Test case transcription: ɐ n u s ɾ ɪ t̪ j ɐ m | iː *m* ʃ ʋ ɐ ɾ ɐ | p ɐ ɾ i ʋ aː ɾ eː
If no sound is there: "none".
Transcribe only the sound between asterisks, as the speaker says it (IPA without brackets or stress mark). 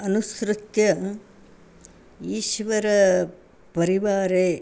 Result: none